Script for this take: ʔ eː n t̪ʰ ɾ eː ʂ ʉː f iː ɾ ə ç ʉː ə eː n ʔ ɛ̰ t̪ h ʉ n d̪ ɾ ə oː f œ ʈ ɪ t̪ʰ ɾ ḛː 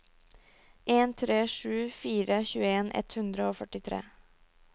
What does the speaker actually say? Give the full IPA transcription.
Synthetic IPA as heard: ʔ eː n t̪ʰ ɾ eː ʂ ʉː f iː ɾ ə ç ʉː ə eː n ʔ ɛ̰ t̪ h ʉ n d̪ ɾ ə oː f œ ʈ ɪ t̪ʰ ɾ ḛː